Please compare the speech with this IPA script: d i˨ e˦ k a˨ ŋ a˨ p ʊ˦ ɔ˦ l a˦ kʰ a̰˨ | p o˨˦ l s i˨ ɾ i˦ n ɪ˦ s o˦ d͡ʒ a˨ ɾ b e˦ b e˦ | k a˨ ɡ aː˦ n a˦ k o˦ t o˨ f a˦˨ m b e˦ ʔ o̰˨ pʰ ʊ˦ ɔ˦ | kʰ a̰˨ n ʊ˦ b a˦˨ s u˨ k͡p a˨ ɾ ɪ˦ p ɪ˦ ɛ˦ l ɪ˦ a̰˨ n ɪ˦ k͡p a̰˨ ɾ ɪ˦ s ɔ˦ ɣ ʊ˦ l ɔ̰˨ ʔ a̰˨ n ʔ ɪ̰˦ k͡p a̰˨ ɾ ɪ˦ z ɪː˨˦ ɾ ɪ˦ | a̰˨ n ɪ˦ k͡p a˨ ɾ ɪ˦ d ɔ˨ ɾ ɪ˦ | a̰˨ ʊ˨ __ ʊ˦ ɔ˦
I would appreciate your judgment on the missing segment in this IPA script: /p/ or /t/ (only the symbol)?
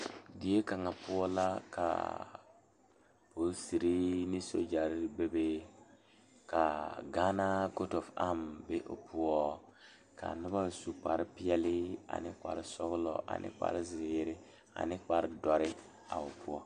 p